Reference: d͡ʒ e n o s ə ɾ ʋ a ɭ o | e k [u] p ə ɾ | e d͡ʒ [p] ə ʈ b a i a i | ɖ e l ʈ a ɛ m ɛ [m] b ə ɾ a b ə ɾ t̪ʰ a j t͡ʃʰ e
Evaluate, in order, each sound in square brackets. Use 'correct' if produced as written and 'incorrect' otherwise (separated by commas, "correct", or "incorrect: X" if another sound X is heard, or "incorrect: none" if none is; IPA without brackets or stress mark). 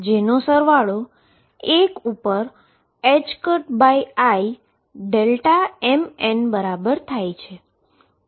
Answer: correct, incorrect: k, incorrect: n